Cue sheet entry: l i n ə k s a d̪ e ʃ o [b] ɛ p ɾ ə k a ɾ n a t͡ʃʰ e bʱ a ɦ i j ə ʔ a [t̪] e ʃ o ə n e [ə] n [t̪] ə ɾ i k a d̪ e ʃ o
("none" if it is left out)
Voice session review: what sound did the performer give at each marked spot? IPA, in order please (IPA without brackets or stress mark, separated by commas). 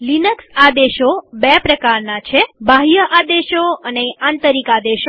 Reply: b, d̪, a, t̪